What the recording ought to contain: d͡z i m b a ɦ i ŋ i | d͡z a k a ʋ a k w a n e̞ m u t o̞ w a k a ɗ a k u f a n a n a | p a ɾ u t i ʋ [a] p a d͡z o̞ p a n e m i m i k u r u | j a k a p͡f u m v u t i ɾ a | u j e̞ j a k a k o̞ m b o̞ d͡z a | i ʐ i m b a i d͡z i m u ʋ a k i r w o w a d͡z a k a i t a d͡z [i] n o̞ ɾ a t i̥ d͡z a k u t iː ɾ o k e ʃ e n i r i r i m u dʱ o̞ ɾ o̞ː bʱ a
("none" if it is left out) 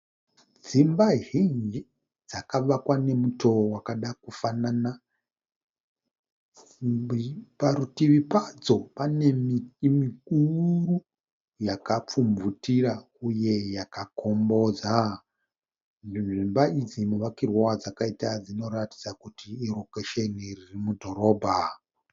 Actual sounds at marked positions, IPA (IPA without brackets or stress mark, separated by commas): i, i